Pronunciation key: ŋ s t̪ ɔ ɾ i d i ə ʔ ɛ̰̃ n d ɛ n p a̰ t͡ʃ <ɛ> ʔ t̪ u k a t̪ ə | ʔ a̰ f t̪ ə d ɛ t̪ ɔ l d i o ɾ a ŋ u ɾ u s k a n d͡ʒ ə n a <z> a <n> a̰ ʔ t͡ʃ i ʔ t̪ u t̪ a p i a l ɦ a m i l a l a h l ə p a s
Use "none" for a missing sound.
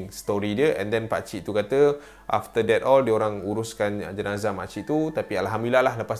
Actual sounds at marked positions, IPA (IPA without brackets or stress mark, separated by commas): i, z, m